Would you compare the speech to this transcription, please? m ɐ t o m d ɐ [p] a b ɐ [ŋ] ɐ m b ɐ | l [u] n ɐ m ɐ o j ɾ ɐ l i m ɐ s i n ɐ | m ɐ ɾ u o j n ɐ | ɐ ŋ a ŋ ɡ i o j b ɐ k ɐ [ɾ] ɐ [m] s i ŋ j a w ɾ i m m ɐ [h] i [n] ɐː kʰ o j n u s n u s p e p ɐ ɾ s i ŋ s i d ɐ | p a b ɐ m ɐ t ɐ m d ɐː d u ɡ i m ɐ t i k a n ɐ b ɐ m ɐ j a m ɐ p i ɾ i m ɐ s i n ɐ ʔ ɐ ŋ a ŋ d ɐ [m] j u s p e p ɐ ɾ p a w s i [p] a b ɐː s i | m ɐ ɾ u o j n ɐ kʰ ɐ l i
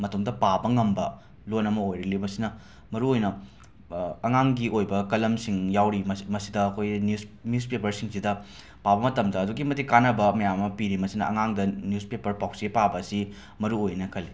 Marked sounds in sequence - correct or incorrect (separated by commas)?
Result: correct, correct, incorrect, incorrect, correct, incorrect, incorrect, incorrect, correct